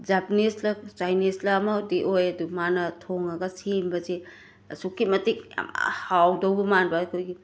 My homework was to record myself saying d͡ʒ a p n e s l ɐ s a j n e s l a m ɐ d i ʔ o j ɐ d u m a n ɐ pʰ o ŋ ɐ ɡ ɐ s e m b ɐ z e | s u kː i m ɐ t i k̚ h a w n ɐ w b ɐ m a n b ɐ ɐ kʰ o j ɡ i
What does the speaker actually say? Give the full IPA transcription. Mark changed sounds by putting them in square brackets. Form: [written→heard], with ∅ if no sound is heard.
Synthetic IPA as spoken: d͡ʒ a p n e s l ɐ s a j n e s l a m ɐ d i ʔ o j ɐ d u m a n ɐ [pʰ→tʰ] o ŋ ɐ ɡ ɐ s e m b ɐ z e | s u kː i m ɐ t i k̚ h a w [n→d] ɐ w b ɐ m a n b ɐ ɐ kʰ o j ɡ i